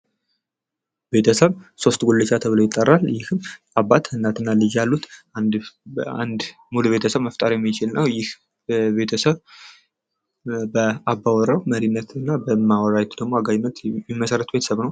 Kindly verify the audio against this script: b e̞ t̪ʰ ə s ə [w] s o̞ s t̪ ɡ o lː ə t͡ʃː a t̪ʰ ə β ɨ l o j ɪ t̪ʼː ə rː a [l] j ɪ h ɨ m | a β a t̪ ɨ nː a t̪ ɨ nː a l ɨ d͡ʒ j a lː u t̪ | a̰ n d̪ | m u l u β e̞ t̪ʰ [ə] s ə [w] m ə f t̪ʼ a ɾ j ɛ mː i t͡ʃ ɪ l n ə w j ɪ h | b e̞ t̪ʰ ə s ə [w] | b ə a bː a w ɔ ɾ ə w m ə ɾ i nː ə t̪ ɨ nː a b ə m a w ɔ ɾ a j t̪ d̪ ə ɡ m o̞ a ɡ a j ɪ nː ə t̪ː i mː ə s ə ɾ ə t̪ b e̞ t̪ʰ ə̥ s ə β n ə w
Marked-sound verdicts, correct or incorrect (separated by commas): incorrect, correct, correct, incorrect, incorrect